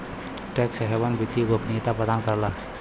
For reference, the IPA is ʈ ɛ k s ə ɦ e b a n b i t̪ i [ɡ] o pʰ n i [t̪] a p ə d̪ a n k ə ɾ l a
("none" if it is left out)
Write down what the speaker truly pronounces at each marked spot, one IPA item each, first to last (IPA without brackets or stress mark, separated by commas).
ɡ, t̪